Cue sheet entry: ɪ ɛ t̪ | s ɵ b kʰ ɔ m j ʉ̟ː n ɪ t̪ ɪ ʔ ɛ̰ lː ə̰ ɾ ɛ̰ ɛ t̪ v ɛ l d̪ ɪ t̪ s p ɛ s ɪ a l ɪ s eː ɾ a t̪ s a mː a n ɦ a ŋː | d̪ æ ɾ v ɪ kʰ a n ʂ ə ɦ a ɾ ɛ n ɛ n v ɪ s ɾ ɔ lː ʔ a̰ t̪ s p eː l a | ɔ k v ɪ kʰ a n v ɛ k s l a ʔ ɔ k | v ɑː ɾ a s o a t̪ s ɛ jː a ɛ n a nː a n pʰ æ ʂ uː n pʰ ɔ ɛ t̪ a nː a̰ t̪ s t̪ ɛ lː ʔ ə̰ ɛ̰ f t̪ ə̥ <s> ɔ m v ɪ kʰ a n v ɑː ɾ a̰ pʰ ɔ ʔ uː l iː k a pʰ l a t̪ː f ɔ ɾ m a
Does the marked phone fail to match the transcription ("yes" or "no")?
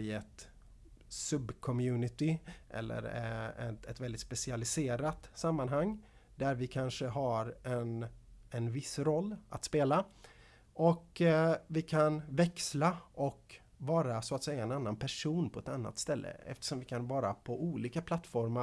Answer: yes